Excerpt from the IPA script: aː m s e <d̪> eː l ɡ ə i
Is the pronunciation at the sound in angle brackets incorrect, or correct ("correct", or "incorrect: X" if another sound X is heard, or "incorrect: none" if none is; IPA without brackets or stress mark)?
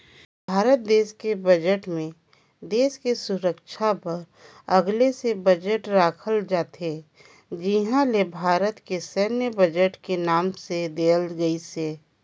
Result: correct